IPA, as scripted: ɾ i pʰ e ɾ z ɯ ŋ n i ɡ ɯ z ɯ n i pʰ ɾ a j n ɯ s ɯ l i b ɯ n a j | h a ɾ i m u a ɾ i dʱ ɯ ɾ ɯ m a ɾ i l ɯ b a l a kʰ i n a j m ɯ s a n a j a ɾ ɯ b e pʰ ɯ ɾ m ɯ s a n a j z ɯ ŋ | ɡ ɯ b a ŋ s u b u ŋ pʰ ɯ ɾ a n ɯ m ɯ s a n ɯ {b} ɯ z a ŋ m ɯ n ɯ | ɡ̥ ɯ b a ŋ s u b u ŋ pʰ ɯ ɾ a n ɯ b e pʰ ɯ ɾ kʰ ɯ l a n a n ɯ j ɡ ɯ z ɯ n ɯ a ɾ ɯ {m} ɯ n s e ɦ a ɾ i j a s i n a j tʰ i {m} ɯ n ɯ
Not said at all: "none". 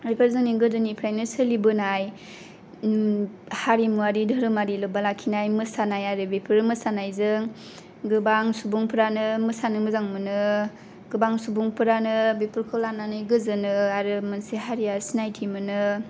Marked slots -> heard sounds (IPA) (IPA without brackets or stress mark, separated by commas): m, m, m